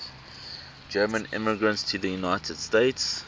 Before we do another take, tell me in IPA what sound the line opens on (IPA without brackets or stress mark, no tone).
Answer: d͡ʒ